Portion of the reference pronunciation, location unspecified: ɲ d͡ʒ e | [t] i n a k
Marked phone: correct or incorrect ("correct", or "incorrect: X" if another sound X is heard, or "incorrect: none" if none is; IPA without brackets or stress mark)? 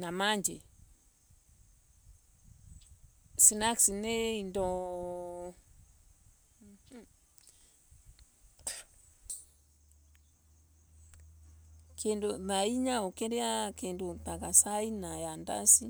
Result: incorrect: s